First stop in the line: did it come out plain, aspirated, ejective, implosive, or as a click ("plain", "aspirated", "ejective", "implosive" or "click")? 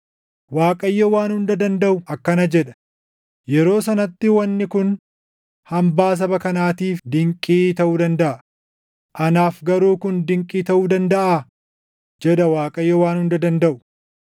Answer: ejective